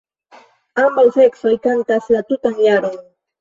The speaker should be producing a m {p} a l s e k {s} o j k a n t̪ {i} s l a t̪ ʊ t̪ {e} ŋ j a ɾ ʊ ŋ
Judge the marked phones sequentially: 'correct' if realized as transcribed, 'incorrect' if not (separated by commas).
incorrect, correct, incorrect, incorrect